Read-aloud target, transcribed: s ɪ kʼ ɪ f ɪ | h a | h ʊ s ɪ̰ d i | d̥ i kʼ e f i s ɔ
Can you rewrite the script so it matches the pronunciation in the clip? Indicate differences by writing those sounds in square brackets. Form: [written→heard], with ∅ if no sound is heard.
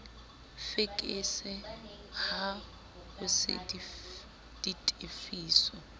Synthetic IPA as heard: [s→f] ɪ kʼ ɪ [f→s] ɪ | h a | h ʊ s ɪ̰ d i | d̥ i [kʼ→tʼ] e f [i→iː] s ɔ